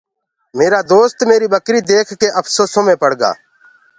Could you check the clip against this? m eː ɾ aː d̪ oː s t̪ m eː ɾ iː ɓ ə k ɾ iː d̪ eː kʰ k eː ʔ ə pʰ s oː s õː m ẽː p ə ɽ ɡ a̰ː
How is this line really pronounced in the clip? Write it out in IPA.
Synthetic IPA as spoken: m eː ɾ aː d̪ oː s t̪ m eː ɾ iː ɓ ə k ɾ iː d̪ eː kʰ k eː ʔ ə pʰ s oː s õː m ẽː p ə ɽ ɡ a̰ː